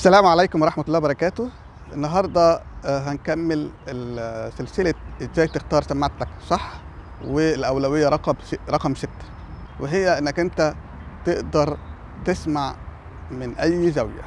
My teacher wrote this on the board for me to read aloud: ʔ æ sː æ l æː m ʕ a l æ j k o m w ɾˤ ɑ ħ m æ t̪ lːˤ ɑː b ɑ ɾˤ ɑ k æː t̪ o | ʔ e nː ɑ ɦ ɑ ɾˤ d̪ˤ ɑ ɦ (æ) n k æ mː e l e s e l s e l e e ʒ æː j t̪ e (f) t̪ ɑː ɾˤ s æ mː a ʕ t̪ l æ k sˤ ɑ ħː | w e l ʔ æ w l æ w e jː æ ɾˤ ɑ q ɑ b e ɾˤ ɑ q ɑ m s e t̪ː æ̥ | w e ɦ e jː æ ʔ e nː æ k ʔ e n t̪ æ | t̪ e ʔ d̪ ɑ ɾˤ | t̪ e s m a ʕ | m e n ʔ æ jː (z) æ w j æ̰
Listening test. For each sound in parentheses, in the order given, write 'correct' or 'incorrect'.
correct, incorrect: x, correct

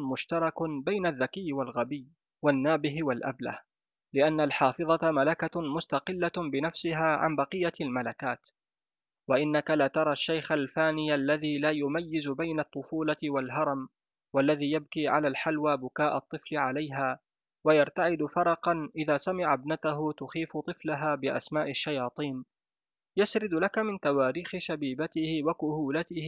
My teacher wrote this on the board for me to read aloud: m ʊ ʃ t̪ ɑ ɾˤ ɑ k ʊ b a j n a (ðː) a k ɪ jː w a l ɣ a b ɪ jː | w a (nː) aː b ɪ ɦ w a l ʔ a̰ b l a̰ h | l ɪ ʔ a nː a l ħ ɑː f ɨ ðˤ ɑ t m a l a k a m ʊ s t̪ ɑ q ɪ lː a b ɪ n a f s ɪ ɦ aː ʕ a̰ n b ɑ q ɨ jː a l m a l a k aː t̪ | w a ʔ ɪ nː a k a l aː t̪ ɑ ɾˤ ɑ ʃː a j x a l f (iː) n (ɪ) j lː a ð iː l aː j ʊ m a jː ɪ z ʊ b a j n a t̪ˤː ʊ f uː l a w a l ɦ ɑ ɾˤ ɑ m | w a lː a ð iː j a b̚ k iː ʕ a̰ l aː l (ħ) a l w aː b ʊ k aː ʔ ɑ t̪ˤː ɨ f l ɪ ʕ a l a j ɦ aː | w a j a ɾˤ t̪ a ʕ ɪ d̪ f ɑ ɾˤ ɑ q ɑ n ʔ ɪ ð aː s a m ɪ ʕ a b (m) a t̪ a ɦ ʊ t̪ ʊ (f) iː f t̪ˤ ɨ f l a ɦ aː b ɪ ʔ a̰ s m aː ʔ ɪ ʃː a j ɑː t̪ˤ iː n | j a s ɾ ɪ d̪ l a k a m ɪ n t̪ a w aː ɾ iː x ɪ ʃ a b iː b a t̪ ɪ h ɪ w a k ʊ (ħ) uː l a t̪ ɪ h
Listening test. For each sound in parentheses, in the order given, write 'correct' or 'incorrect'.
correct, correct, incorrect: aː, correct, correct, incorrect: n, incorrect: x, incorrect: h

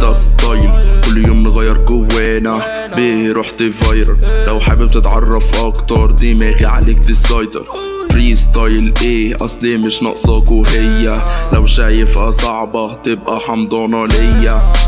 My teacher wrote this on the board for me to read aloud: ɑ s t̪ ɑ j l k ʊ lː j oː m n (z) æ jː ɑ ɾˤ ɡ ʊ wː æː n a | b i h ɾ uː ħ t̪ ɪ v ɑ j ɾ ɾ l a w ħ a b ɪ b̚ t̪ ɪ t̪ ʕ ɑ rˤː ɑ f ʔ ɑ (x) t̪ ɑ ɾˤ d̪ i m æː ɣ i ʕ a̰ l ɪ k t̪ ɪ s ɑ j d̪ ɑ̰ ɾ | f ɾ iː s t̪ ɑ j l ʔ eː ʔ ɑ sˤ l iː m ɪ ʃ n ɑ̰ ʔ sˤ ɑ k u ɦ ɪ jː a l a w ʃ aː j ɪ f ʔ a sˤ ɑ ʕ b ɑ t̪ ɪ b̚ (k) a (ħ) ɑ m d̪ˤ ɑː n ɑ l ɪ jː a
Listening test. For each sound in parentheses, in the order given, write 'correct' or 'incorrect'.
incorrect: ɣ, incorrect: k, incorrect: ʔ, correct

